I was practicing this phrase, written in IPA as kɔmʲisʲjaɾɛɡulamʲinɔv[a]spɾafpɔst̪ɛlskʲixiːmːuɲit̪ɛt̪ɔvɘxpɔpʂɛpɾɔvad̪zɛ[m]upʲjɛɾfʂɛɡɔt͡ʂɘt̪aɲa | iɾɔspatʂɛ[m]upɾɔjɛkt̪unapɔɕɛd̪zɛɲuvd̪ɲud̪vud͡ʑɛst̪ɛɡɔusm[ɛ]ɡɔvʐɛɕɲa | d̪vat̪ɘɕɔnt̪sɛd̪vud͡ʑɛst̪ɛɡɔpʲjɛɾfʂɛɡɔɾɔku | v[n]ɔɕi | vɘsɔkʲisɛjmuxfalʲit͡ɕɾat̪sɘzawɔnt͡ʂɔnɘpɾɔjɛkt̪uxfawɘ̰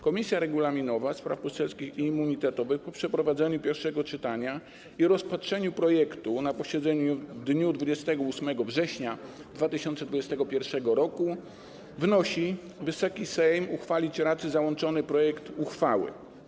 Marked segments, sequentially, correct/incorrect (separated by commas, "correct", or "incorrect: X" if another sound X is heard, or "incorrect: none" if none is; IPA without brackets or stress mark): correct, incorrect: ɲ, incorrect: ɲ, correct, correct